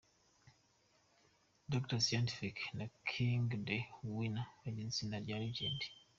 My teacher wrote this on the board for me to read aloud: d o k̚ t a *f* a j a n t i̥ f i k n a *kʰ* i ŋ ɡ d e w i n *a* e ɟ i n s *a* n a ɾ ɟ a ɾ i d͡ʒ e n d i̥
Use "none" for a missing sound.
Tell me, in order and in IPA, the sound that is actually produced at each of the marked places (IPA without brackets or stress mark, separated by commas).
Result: s, kʰ, a, i